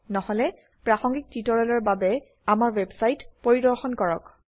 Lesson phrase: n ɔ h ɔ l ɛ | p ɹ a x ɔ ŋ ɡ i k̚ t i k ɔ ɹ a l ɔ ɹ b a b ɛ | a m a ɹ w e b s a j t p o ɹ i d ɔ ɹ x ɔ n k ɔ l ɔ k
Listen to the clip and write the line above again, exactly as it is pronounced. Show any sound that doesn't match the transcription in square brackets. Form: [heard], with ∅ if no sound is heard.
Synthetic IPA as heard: n ɔ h ɔ l ɛ | p ɹ a x ɔ ŋ ɡ i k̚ t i [t] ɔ ɹ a l ɔ ɹ b a b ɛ | a m a ɹ w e b s a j t p o ɹ i d ɔ ɹ x ɔ n k ɔ [ɹ] ɔ k

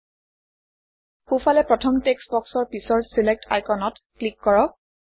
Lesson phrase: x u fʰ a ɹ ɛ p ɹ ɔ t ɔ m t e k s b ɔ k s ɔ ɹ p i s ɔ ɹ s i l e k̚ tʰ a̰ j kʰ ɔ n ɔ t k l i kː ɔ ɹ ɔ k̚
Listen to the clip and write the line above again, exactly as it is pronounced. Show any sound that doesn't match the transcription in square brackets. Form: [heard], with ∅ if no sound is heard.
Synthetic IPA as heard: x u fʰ a [l] ɛ p ɹ ɔ [tʰ] ɔ m t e k s b ɔ k s ɔ ɹ p i s ɔ ɹ s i l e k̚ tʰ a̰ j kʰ ɔ n ɔ t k l i kː ɔ ɹ ɔ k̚

